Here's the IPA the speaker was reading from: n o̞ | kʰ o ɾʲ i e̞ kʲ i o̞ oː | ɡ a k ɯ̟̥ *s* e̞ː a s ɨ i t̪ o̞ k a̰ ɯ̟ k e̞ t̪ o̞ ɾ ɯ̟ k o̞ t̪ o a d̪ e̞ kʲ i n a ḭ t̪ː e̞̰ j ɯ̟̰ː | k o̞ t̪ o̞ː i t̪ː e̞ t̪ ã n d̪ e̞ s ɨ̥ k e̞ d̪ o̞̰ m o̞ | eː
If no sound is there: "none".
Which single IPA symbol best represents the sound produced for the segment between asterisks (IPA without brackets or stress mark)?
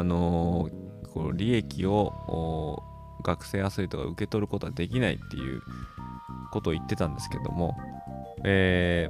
s